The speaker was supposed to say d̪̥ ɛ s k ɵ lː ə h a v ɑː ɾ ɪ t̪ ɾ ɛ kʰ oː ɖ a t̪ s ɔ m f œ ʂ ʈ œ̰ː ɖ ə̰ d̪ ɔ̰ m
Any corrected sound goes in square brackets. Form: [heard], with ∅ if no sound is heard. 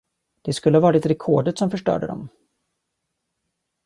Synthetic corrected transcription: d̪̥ ɛ s k ɵ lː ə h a v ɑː ɾ ɪ t̪ ɾ ɛ kʰ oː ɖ [ə] t̪ s ɔ m f œ ʂ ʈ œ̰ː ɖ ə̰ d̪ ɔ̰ m